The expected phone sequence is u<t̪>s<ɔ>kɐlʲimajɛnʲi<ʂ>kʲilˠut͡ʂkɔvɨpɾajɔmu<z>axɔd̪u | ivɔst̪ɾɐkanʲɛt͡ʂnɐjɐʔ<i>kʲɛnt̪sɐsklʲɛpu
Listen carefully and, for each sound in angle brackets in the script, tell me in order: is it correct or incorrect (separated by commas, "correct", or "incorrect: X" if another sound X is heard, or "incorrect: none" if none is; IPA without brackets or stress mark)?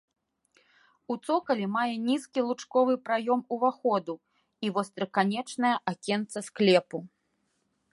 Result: correct, correct, incorrect: s, incorrect: v, incorrect: a